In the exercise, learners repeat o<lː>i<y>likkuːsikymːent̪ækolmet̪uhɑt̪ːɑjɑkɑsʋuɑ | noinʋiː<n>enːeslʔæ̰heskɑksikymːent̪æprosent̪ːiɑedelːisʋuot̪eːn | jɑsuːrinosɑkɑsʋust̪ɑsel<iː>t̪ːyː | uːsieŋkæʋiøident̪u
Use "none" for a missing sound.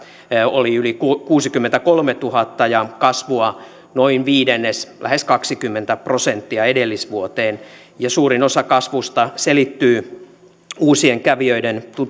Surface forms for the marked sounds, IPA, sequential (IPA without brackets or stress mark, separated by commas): l, y, d, i